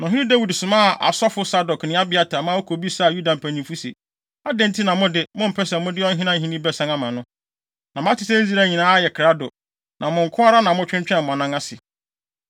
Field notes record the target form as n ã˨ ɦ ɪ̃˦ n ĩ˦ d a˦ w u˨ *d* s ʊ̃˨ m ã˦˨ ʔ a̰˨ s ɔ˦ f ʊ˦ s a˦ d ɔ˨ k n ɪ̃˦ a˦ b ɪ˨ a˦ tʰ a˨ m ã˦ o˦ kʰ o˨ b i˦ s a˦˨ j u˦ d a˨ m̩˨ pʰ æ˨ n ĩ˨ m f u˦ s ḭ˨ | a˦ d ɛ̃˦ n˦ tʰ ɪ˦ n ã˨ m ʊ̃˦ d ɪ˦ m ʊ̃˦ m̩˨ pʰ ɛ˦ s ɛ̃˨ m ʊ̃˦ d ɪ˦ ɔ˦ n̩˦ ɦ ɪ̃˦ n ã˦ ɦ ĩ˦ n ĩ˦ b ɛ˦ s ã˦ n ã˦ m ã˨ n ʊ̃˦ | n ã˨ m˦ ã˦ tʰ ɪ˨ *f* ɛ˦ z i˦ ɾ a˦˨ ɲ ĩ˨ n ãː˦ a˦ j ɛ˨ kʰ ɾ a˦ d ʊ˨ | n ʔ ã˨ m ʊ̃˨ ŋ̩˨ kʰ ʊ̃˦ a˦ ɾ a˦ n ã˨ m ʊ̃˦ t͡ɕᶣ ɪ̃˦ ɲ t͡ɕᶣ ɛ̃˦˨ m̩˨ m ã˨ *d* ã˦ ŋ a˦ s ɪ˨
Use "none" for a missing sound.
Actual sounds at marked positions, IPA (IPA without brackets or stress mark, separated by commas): d, s, n